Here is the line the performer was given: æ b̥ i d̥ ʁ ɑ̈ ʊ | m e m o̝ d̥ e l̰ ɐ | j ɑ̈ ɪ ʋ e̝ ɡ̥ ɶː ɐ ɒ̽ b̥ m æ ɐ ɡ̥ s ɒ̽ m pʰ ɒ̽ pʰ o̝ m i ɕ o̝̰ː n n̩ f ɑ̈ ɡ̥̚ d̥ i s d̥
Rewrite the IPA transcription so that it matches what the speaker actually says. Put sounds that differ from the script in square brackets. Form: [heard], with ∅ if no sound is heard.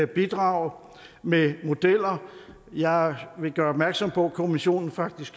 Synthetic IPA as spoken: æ b̥ i d̥ ʁ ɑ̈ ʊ | m e m o̝ d̥ e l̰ ɐ | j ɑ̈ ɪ ʋ e̝ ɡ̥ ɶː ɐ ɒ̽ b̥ m æ ɐ ɡ̥ s ɒ̽ m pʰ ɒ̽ [kʰ] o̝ m i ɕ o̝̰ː n n̩ f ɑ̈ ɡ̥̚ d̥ i s [ɡ̥]

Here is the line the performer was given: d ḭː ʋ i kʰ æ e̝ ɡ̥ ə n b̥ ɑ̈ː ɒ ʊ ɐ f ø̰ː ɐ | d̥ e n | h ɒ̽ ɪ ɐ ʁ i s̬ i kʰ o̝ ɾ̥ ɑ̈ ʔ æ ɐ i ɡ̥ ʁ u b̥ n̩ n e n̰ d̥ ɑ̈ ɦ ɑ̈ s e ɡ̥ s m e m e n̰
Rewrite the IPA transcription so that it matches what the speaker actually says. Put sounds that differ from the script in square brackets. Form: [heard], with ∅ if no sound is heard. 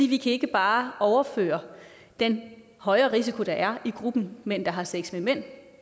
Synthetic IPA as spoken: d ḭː ʋ i kʰ æ e̝ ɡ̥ ə [∅] b̥ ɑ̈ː ɒ ʊ ɐ f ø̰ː ɐ | d̥ e n | h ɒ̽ ɪ ɐ ʁ i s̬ i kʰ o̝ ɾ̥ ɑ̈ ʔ æ ɐ i ɡ̥ ʁ u b̥ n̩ [m] e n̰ d̥ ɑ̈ ɦ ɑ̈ s e ɡ̥ s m e m e n̰

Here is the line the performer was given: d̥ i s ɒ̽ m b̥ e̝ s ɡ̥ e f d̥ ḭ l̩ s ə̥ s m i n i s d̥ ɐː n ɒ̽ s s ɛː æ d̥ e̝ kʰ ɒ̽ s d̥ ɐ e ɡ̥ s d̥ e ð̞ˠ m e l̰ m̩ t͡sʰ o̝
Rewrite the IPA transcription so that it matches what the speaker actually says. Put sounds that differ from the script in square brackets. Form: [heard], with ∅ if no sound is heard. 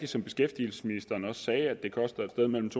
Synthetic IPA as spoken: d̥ i s ɒ̽ m b̥ e̝ s ɡ̥ e f d̥ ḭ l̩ s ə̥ s m i n i s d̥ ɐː n ɒ̽ s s ɛː æ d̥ e̝ kʰ ɒ̽ s d̥ ɐ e [d̥] s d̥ e ð̞ˠ m e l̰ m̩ t͡sʰ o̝

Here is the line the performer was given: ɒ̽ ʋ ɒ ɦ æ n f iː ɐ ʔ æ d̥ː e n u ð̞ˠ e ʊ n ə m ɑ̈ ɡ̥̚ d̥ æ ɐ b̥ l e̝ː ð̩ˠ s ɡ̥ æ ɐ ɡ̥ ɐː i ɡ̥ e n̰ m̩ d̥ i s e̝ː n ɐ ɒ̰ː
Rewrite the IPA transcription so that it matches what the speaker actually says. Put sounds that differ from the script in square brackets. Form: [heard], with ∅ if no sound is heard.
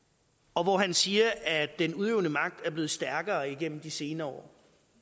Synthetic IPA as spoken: ɒ̽ ʋ ɒ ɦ æ n [s] iː ɐ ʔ æ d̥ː e n u ð̞ˠ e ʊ n ə m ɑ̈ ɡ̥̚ d̥ æ ɐ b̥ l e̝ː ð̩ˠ s [d̥] æ ɐ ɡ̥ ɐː i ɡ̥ e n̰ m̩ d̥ i s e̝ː n ɐ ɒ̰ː

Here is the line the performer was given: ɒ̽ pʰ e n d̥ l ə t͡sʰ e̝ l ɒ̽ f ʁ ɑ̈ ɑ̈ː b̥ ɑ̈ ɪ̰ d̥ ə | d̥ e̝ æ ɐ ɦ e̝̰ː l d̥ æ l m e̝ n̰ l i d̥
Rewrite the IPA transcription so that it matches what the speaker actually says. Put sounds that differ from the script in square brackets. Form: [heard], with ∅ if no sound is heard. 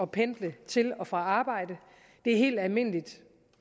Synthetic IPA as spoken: ɒ̽ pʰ e n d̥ l ə t͡sʰ e̝ l ɒ̽ f ʁ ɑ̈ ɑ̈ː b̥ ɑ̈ ɪ̰ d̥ ə | d̥ e̝ æ ɐ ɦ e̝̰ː l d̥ æ l m e̝ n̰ l i d̥

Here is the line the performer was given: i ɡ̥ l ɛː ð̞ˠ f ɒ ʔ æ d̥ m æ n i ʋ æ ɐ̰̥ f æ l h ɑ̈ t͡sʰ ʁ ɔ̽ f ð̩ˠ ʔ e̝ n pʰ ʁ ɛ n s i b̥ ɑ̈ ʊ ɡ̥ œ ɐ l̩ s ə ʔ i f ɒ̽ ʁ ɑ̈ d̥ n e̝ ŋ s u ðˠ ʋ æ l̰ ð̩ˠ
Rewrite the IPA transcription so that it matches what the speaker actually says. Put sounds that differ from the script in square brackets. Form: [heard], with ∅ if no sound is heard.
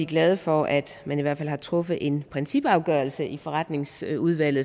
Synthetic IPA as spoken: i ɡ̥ l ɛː ð̞ˠ f ɒ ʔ æ d̥ m æ n i ʋ æ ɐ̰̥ f æ l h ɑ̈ t͡sʰ ʁ ɔ̽ f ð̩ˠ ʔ e̝ n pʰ ʁ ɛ n s i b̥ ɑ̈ ʊ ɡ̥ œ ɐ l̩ s ə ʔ i f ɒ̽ ʁ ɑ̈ d̥ n e̝ ŋ s u ðˠ ʋ æ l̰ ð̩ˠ

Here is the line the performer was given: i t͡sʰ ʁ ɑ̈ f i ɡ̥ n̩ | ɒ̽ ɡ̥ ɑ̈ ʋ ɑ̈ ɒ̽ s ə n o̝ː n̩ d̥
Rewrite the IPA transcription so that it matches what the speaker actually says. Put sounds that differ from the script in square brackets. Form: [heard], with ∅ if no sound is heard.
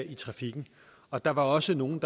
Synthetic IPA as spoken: i t͡sʰ ʁ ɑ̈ f i ɡ̥ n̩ | ɒ̽ [d̥] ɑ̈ ʋ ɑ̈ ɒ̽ s ə n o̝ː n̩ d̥

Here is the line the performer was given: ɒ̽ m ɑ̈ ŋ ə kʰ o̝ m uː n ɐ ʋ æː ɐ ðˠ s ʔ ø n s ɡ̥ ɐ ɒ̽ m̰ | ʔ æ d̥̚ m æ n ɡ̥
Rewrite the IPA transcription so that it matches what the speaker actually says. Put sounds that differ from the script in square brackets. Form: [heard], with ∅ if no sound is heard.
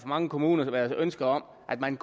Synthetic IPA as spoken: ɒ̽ m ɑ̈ ŋ ə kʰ o̝ m uː n ɐ ʋ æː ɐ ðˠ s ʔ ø n s ɡ̥ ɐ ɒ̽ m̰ | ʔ æ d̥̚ m æ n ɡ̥

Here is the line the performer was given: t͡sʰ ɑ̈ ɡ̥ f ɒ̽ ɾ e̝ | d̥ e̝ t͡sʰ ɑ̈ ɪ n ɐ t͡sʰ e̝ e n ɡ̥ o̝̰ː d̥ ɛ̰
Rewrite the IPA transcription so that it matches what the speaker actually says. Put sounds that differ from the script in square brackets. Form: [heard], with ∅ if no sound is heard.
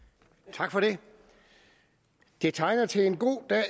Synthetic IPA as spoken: t͡sʰ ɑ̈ ɡ̥ f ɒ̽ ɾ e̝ | d̥ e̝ t͡sʰ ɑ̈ ɪ n ɐ t͡sʰ e̝ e n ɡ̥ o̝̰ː d̥ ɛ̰

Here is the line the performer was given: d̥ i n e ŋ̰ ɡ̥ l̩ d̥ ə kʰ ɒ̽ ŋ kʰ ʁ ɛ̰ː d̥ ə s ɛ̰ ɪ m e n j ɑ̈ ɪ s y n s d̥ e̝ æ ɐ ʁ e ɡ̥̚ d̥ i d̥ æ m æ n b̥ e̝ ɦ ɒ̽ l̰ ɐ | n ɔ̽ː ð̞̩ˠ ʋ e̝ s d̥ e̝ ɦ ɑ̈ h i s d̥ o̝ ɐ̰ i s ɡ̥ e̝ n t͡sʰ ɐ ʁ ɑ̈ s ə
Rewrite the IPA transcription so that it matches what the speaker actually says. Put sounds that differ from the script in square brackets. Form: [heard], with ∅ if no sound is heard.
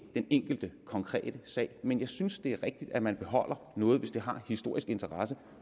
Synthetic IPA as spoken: d̥ [e] n e ŋ̰ ɡ̥ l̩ d̥ ə kʰ ɒ̽ ŋ kʰ ʁ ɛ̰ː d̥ ə s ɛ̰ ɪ m e n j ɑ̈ ɪ s y n s d̥ e̝ æ ɐ ʁ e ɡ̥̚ d̥ i d̥ æ m æ n b̥ e̝ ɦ ɒ̽ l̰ ɐ | n ɔ̽ː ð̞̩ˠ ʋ e̝ s d̥ e̝ ɦ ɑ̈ h i s d̥ o̝ ɐ̰ i s ɡ̥ e̝ n t͡sʰ ɐ ʁ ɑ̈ s ə

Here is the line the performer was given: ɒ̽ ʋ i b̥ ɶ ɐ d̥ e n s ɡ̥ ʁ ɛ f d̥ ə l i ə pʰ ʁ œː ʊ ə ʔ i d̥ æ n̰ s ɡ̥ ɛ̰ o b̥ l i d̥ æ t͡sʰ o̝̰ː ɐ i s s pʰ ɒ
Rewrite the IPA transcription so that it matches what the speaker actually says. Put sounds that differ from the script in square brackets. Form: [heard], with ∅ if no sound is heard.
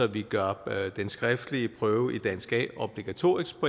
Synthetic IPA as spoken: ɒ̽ ʋ i [ɡ̥] ɶ ɐ d̥ e n s ɡ̥ ʁ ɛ f d̥ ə l i ə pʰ ʁ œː ʊ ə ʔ i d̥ æ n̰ s ɡ̥ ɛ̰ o b̥ l i [ɡ̥] æ t͡sʰ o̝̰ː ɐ i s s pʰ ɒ

